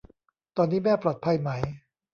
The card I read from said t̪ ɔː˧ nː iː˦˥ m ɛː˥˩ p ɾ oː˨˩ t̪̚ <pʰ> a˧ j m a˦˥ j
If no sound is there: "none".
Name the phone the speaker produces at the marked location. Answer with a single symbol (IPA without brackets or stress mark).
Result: pʰ